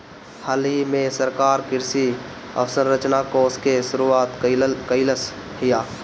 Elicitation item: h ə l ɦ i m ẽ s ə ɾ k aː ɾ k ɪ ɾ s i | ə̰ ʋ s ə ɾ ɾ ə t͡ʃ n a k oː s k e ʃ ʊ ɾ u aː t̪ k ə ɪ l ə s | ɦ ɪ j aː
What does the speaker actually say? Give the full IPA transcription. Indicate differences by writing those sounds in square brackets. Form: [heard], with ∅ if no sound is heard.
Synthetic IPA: h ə l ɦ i m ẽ s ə ɾ k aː ɾ k ɪ ɾ s i | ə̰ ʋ s ə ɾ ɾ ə t͡ʃ n a k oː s k e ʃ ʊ ɾ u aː t̪ k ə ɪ l ə s | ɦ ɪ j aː

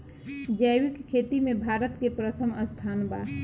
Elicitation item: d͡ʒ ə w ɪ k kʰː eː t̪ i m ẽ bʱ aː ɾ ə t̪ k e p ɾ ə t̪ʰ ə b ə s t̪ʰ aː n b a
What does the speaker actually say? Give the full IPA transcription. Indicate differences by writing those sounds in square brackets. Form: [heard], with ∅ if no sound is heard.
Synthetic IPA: d͡ʒ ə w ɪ k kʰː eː t̪ i m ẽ bʱ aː ɾ ə t̪ k e p ɾ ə t̪ʰ ə [m] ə s t̪ʰ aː n b a

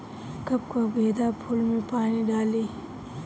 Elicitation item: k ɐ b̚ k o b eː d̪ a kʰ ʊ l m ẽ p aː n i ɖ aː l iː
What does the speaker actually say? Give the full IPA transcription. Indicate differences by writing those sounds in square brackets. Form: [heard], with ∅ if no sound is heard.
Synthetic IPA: k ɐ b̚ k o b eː d̪ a [pʰ] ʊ l m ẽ p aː n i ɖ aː l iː

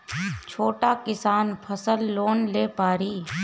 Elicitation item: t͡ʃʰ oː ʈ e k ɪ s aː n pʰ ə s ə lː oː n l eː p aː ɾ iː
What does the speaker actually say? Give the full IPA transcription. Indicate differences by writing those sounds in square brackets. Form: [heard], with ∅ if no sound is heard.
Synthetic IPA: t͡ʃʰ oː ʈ [a] k ɪ s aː n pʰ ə s ə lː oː n l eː p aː ɾ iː

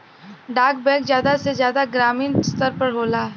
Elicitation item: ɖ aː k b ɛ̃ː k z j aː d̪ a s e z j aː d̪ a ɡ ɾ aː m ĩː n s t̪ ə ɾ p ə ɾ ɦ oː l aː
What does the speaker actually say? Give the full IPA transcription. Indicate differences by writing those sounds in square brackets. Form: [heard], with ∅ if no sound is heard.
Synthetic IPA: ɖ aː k b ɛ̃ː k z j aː d̪ a s e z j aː d̪ a ɡ ɾ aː m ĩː n s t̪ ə ɾ p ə ɾ ɦ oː l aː

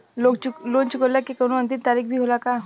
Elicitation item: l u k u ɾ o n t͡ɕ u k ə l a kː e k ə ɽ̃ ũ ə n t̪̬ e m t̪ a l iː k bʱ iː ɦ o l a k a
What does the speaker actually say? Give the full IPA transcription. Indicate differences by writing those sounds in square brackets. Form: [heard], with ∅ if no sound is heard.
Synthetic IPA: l [o] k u [l] o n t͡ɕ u k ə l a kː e k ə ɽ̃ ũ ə n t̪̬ [i] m t̪ a [ɾ] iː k bʱ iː ɦ o l a k a

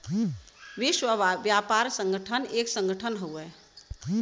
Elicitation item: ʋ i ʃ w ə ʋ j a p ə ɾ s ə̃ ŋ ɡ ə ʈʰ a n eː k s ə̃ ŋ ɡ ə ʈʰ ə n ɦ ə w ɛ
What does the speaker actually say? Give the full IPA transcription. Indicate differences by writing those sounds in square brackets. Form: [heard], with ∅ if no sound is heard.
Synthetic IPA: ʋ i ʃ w ə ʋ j a p [a] ɾ s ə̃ ŋ ɡ ə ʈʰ [ə] n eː k s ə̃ ŋ ɡ ə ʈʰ ə n ɦ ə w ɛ

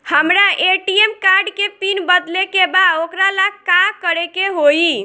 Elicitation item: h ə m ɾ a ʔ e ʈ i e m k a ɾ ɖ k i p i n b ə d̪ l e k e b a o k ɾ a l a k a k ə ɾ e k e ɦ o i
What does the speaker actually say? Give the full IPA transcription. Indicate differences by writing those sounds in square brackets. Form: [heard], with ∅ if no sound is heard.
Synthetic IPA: h ə m ɾ a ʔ e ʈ i e m k a ɾ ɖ k [e] p i n b ə d̪ l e k e b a o k ɾ a l a k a k ə ɾ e k e ɦ o i

